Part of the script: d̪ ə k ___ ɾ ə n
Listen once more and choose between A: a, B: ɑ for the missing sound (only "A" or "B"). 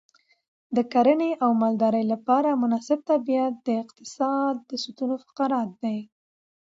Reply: A